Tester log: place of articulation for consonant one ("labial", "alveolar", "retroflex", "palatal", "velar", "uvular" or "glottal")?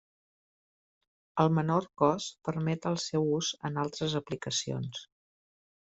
alveolar